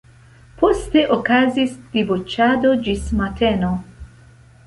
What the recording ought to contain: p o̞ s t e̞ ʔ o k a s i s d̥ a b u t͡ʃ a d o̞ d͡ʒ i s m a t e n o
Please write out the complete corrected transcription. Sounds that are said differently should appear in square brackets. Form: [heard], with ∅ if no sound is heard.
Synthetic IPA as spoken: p o̞ s t e̞ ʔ o k a [z] i s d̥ [i] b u t͡ʃ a d o̞ d͡ʒ i s m a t e n o